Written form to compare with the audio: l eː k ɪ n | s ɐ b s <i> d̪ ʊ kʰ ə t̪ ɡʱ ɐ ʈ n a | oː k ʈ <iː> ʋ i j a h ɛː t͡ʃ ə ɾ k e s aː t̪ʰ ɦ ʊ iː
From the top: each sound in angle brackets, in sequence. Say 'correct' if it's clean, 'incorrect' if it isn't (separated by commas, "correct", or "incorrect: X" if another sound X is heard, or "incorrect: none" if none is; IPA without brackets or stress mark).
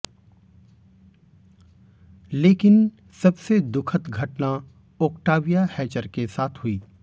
incorrect: e, incorrect: aː